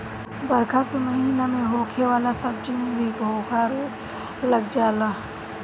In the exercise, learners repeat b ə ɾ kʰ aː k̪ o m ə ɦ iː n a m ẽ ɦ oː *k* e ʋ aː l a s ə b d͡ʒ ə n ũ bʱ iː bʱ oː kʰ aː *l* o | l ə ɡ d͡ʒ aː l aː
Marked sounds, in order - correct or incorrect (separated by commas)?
incorrect, incorrect